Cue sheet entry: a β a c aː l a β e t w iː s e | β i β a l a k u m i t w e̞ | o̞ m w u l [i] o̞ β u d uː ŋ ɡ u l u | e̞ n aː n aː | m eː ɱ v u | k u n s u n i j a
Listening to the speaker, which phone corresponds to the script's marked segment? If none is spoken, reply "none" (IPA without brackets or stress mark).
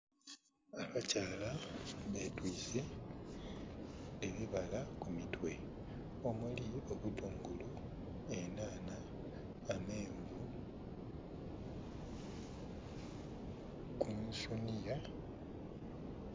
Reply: i